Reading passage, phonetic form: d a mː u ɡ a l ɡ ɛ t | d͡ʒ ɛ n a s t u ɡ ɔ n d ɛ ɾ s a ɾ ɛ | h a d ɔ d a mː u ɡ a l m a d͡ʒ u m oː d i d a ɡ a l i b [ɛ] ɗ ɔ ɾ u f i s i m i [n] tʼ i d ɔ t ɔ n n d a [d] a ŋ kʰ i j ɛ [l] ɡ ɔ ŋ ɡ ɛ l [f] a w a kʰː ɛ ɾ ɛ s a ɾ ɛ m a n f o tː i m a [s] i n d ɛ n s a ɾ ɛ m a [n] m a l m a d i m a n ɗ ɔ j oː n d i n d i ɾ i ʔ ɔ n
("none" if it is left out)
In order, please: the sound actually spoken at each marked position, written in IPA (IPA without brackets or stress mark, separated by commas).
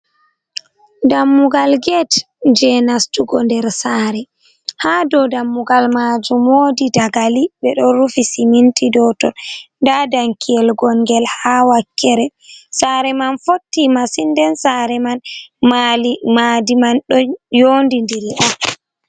ɛ, n, d, l, h, s, n